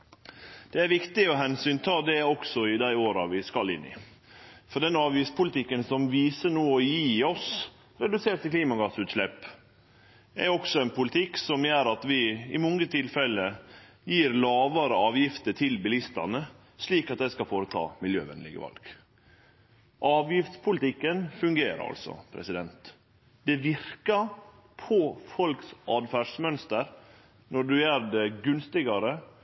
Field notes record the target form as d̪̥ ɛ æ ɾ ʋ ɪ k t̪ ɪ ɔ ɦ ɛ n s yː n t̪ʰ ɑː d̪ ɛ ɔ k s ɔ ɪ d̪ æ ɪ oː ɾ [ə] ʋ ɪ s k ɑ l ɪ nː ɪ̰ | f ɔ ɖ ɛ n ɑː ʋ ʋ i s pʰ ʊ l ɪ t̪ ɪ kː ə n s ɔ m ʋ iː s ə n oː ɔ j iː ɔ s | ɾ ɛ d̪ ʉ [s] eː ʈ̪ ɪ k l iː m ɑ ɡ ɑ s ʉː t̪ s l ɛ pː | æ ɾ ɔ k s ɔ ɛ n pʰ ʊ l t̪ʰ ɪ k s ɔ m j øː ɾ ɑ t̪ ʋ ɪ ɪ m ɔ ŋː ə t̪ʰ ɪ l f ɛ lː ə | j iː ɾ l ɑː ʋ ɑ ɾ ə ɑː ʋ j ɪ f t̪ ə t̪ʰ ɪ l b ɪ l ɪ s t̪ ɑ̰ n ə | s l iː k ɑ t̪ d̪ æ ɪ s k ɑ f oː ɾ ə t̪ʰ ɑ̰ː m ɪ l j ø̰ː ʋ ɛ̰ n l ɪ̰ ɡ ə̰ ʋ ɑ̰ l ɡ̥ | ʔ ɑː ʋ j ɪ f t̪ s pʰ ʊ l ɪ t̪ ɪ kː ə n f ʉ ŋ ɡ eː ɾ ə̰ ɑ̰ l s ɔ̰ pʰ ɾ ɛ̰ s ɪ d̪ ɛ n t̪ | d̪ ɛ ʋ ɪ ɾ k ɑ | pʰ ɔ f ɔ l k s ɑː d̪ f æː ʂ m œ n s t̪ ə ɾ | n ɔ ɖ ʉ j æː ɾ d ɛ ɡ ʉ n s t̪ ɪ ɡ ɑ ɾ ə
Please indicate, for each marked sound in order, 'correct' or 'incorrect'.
incorrect: ɑ, correct

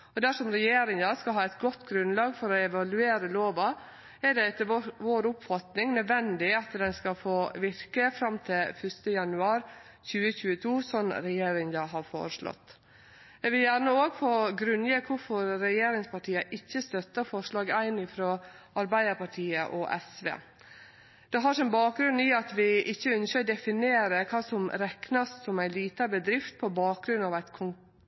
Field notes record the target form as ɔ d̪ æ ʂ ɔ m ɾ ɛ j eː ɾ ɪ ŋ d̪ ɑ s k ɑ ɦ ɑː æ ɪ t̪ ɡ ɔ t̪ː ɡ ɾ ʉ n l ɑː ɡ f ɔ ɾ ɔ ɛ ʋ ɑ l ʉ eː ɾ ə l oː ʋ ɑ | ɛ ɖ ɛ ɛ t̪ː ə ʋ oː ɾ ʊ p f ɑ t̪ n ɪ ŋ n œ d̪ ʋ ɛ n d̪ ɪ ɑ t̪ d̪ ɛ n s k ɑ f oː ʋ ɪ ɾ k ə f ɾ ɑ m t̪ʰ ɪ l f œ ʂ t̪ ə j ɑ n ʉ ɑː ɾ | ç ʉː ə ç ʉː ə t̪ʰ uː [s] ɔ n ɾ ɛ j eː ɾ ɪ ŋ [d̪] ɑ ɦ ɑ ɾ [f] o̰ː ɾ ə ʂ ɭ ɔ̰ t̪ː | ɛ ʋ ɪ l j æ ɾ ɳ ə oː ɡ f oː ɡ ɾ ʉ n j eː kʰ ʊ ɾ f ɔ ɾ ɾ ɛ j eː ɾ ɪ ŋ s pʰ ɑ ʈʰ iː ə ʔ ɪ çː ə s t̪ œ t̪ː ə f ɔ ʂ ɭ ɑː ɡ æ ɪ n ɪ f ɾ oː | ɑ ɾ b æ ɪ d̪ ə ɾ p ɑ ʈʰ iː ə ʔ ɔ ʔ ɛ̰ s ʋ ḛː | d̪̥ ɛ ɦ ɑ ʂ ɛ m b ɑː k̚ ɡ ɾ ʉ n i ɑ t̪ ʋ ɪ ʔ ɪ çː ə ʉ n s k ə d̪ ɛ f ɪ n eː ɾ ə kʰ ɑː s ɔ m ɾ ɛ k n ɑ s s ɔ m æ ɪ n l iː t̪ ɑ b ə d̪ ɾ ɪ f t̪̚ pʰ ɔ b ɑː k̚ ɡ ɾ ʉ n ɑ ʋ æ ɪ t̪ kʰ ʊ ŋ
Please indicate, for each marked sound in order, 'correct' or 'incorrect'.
correct, correct, correct

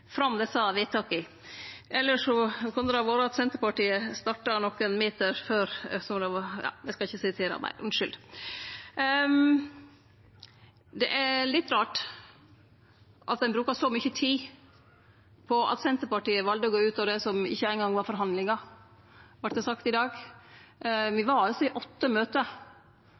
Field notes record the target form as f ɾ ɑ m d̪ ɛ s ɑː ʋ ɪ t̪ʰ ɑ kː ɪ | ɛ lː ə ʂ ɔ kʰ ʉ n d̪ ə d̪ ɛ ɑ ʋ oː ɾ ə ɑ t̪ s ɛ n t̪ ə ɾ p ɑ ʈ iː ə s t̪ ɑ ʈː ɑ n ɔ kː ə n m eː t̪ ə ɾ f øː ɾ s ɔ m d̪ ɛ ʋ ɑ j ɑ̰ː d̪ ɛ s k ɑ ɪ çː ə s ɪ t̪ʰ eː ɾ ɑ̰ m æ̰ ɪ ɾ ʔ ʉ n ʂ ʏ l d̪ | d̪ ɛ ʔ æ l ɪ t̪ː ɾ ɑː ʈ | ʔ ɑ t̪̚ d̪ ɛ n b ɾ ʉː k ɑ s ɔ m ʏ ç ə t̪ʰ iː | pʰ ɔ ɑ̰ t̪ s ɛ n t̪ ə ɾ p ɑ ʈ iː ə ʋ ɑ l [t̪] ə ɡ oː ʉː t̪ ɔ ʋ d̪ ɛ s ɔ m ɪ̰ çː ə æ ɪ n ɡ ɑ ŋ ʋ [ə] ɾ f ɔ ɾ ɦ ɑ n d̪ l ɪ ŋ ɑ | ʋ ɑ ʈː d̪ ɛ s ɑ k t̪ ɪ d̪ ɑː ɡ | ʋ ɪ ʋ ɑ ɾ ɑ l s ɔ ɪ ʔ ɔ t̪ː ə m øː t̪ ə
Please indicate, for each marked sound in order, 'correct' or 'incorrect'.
incorrect: d̪, incorrect: ɑ

